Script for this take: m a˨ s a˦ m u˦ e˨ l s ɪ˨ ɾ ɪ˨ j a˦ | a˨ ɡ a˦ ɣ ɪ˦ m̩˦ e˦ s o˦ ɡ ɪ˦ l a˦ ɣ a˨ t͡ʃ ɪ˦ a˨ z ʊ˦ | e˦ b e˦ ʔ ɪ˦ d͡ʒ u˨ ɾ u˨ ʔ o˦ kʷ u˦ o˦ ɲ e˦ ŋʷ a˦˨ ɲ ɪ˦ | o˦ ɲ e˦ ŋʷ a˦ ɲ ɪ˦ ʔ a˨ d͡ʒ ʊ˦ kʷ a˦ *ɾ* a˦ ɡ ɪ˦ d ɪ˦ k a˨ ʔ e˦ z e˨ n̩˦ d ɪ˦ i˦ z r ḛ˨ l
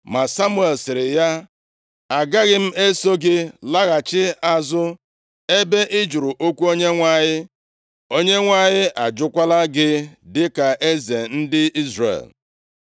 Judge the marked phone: incorrect: l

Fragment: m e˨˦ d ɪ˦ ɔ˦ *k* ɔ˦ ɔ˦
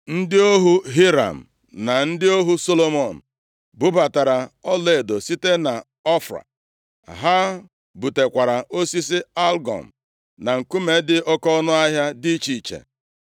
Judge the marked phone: correct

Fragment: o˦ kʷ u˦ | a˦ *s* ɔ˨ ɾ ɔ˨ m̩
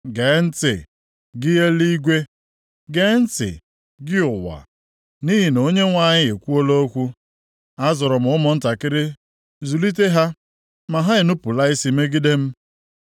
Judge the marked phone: incorrect: z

